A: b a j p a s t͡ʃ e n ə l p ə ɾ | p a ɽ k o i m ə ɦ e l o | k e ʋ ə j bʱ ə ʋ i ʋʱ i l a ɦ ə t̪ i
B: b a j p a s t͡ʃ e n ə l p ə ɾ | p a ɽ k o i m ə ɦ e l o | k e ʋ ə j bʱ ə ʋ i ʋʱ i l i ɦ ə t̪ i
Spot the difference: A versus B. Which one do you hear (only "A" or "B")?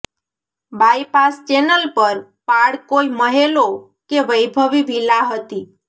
A